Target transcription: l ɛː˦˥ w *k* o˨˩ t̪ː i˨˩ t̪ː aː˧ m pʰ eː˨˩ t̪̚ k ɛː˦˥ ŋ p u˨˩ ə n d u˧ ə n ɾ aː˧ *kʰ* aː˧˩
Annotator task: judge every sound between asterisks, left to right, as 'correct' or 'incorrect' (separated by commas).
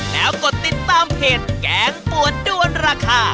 correct, correct